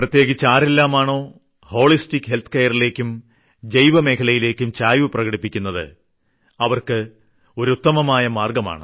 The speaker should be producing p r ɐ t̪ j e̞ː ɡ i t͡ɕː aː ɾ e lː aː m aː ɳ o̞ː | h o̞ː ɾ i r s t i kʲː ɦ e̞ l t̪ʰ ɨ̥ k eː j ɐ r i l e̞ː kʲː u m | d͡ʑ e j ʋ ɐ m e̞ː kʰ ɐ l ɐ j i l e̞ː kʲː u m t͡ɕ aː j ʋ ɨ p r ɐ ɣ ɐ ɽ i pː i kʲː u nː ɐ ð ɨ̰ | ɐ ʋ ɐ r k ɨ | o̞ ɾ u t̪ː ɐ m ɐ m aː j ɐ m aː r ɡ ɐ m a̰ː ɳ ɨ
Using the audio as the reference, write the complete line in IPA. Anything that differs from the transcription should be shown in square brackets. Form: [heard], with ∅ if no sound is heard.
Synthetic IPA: p r ɐ t̪ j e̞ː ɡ i t͡ɕː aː ɾ e lː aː m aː ɳ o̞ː | h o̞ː [ɭ] i [∅] s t i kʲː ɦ e̞ l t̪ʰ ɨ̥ k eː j ɐ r i l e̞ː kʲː u m | d͡ʑ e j ʋ ɐ m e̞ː kʰ ɐ l ɐ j i l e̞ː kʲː u m t͡ɕ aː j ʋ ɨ p r ɐ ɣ ɐ ɽ i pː i kʲː u nː ɐ ð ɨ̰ | ɐ ʋ ɐ r k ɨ | o̞ ɾ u t̪ː ɐ m ɐ m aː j ɐ m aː r ɡ ɐ m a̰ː ɳ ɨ